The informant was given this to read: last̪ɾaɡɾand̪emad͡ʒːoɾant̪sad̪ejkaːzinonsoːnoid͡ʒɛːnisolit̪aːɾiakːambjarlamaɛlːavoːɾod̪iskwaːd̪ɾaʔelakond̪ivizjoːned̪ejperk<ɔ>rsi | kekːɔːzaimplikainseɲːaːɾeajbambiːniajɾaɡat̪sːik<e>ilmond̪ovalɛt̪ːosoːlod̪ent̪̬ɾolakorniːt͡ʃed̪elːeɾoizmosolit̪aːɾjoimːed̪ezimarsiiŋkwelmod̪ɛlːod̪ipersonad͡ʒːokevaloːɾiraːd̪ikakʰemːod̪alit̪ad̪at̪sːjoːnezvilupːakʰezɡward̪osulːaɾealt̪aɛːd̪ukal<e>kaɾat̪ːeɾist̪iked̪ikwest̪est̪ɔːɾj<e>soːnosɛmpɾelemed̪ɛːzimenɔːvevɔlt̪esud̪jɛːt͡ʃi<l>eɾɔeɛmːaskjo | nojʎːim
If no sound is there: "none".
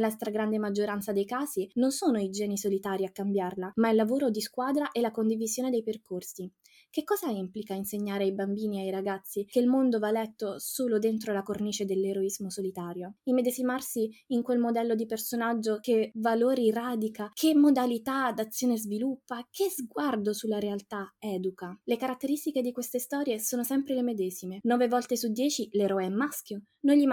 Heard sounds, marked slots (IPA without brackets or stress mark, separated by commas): o, e, e, e, l